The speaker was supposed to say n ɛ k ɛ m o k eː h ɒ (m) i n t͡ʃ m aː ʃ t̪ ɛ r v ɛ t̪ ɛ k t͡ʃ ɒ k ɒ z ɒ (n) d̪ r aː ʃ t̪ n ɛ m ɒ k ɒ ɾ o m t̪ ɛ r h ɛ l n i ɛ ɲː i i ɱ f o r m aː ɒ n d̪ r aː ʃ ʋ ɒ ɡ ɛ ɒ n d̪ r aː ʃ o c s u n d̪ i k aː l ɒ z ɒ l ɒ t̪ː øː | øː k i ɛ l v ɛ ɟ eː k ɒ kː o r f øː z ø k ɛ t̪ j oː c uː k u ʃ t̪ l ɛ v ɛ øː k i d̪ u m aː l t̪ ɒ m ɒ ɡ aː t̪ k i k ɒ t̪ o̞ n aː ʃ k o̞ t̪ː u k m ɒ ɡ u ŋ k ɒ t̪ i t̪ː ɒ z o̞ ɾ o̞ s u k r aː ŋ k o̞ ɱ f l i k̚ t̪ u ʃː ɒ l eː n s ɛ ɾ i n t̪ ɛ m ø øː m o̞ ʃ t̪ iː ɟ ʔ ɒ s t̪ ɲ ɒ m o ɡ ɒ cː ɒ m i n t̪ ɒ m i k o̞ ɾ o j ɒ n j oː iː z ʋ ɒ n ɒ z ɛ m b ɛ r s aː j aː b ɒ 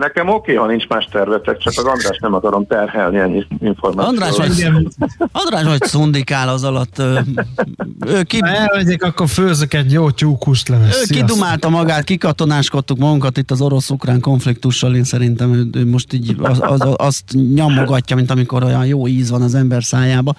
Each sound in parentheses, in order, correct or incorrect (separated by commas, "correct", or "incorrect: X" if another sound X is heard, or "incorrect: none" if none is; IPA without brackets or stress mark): incorrect: n, correct